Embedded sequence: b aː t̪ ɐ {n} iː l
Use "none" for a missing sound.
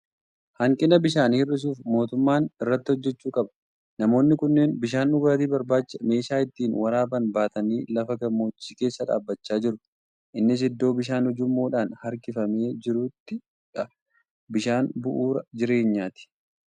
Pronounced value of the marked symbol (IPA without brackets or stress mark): n